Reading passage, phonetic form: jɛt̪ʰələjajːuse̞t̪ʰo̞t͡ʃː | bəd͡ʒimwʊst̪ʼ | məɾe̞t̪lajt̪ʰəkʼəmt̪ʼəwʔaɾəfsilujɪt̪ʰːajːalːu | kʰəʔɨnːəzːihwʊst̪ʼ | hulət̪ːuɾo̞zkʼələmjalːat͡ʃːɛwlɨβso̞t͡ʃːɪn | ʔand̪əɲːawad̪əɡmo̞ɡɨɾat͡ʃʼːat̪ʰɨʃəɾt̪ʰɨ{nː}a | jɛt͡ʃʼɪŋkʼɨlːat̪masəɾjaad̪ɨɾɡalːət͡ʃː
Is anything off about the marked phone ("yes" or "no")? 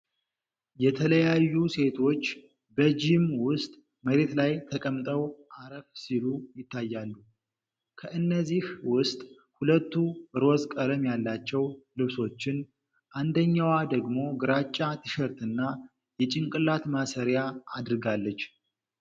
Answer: no